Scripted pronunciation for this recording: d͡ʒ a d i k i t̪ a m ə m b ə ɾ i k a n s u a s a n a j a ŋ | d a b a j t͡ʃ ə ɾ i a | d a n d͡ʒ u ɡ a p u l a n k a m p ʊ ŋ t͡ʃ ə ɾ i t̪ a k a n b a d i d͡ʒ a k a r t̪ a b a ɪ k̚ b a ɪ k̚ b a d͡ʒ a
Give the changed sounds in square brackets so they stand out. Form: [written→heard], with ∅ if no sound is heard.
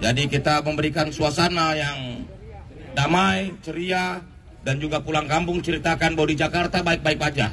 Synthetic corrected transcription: d͡ʒ a d i k i t̪ a m ə m b ə ɾ i k a n s u a s a n a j a ŋ | d a [b→m] a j t͡ʃ ə ɾ i a | d a n d͡ʒ u ɡ a p u l a [n→ŋ] k a m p ʊ ŋ t͡ʃ ə ɾ i t̪ a k a n b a d i d͡ʒ a k a r t̪ a b a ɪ k̚ b a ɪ k̚ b a d͡ʒ a